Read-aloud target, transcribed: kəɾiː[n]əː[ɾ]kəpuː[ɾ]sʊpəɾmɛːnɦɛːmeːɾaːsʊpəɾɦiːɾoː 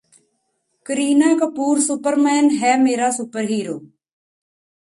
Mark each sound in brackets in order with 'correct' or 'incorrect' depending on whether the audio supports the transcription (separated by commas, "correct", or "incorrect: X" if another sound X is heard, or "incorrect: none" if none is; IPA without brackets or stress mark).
correct, incorrect: none, correct